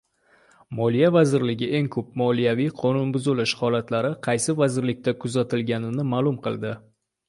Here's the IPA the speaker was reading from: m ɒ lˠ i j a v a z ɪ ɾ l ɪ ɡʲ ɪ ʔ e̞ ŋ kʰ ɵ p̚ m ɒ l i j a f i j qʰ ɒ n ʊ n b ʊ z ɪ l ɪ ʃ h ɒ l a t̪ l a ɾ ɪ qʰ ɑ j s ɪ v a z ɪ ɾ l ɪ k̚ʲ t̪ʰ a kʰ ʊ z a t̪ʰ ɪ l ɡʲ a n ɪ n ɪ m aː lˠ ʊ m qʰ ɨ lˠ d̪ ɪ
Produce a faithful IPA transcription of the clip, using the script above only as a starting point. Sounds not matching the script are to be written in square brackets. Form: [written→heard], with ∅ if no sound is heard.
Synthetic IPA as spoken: m ɒ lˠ i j a v a z ɪ ɾ l ɪ ɡʲ ɪ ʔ e̞ ŋ kʰ ɵ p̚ m ɒ l i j a [f→v] i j qʰ ɒ n ʊ n b ʊ z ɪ l ɪ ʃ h ɒ l a t̪ l a ɾ ɪ qʰ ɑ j s ɪ v a z ɪ ɾ l ɪ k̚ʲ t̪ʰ a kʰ ʊ z a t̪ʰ ɪ l ɡʲ a n ɪ n ɪ m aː lˠ ʊ m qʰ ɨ lˠ d̪ ɪ